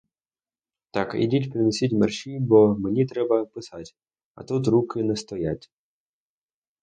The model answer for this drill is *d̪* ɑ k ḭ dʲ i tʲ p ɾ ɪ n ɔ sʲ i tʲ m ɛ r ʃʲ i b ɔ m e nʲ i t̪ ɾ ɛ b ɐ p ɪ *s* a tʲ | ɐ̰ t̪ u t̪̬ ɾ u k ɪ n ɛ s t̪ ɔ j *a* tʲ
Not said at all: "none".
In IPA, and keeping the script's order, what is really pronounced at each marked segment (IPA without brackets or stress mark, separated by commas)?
t̪, s, a